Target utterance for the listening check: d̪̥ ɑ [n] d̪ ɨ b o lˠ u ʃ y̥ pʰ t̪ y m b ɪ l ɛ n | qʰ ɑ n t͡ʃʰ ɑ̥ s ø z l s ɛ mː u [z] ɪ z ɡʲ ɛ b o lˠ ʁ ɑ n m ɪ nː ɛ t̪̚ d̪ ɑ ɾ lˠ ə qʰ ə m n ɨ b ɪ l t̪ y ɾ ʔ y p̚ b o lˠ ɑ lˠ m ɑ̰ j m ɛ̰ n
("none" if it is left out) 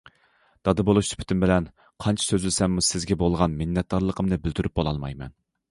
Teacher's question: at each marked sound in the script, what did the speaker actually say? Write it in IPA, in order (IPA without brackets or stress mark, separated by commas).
none, s